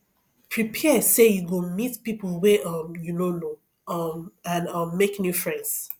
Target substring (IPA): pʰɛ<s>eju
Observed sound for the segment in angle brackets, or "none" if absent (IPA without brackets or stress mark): s